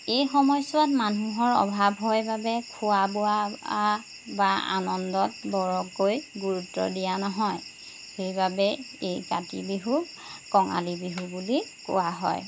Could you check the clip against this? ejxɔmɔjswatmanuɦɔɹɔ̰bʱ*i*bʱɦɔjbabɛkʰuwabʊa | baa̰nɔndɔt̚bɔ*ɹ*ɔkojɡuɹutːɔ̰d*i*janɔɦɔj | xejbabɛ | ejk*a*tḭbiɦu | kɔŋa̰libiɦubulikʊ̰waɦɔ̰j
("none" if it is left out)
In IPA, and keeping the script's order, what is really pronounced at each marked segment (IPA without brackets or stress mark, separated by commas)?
a, ɹ, i, a